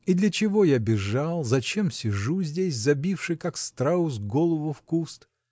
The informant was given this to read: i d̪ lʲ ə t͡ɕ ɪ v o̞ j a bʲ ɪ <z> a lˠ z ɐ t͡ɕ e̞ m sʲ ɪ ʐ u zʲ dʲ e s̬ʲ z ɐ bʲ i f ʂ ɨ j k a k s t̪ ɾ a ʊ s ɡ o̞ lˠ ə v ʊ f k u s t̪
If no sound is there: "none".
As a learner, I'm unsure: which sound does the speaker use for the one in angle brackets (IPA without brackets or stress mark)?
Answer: ʐ